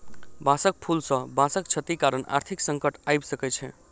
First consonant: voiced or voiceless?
voiced